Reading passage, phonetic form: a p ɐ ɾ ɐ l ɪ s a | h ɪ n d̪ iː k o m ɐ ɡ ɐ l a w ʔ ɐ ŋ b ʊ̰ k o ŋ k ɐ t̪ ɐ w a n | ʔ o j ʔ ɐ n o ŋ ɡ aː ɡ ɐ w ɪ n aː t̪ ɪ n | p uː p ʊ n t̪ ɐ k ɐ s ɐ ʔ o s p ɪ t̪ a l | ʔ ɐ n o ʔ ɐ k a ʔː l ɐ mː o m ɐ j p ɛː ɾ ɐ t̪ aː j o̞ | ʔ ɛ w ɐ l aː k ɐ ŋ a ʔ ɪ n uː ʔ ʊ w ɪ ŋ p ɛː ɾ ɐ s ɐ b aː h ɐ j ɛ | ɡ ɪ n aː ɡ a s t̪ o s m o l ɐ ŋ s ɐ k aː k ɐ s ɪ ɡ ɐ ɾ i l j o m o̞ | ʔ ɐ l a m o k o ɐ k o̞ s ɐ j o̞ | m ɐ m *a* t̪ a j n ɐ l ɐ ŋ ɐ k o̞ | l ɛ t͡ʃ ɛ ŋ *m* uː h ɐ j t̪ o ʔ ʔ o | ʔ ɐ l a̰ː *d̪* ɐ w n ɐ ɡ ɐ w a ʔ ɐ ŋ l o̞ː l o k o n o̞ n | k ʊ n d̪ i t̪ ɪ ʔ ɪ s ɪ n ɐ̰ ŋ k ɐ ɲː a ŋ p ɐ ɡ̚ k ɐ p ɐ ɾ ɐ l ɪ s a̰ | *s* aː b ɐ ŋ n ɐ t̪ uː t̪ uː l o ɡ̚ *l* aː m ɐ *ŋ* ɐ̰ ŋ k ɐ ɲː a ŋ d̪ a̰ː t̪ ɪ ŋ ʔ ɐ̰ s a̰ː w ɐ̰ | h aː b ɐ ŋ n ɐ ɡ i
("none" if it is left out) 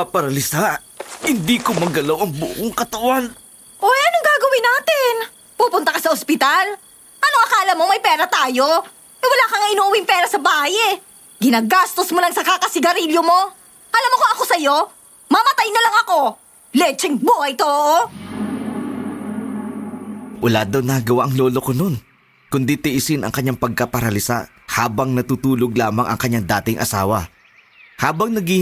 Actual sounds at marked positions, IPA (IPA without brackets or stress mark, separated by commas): ɐ, b, d̪, h, l, ŋ